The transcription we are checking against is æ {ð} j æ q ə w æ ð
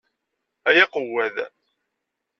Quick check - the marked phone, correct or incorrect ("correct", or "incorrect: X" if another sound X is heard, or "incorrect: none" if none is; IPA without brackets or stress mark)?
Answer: incorrect: none